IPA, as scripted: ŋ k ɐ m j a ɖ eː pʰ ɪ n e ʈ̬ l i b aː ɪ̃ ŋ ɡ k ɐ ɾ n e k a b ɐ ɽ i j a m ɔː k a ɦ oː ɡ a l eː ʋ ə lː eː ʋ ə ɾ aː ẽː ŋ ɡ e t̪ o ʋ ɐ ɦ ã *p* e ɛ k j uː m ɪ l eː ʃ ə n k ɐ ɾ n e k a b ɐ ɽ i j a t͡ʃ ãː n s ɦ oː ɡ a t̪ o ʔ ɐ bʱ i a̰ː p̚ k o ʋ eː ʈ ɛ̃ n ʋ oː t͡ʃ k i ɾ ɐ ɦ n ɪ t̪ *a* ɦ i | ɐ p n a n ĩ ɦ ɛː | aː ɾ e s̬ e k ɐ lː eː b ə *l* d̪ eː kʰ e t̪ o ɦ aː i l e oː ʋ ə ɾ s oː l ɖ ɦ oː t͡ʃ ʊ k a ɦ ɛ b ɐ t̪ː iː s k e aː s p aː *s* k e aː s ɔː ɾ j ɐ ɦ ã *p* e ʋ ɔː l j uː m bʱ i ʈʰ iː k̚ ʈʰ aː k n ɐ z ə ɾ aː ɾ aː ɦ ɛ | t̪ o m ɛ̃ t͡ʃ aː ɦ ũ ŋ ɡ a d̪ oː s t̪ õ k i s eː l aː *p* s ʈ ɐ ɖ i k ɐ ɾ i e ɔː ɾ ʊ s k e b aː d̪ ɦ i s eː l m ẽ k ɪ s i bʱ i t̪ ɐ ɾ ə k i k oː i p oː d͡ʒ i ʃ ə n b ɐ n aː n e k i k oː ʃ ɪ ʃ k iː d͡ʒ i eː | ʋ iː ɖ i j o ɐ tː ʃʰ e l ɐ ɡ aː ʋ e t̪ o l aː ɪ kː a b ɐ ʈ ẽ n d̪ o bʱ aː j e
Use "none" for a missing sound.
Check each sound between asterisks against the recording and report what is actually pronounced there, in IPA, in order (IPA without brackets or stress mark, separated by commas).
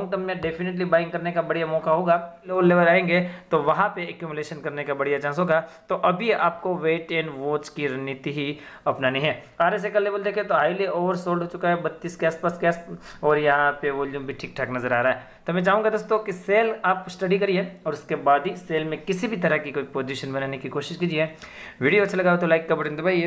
p, i, l, s, p, p